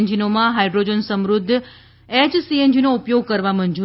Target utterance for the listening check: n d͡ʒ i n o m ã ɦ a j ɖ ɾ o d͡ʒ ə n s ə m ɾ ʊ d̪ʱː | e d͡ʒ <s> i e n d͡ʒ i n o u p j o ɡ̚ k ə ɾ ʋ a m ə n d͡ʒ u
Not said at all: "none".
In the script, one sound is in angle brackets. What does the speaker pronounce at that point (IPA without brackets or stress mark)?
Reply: s